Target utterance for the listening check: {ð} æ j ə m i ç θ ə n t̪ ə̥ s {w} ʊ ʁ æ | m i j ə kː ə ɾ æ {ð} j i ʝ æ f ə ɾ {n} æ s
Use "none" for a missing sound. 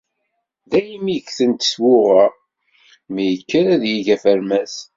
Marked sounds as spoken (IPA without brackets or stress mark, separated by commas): ð, w, ð, m